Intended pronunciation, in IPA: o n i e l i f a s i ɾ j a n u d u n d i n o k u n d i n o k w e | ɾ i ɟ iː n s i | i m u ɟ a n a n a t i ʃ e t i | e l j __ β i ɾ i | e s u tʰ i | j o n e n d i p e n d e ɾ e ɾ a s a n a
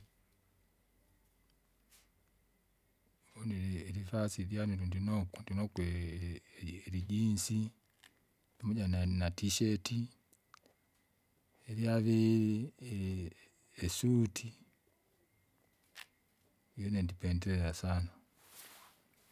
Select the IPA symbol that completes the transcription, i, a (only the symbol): a